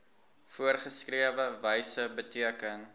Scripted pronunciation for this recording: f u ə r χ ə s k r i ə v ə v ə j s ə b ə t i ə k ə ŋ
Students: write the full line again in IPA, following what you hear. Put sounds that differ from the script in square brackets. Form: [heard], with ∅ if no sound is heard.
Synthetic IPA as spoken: f u ə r χ ə s k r i ə v ə v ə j s ə b ə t i ə k ə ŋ